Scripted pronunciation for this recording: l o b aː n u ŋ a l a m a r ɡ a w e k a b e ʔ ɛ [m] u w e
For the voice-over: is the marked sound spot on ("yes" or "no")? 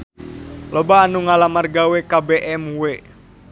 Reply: yes